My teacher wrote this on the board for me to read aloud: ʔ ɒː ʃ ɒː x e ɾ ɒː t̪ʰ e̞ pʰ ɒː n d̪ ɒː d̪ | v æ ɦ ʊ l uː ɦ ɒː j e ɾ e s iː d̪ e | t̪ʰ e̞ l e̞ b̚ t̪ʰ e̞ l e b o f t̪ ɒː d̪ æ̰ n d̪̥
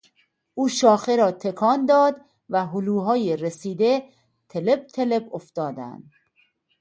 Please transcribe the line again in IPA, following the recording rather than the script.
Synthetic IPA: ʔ uː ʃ ɒː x e ɾ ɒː t̪ʰ e̞ kʰ ɒː n d̪ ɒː d̪ | v æ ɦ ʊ l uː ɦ ɒː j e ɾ e s iː d̪ e | t̪ʰ e̞ l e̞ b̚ t̪ʰ e̞ l e b o f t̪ ɒː d̪ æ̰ n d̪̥